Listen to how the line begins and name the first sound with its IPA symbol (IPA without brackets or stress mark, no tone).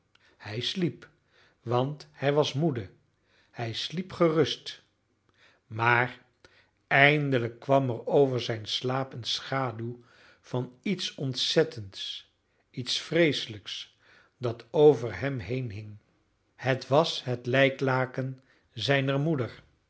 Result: h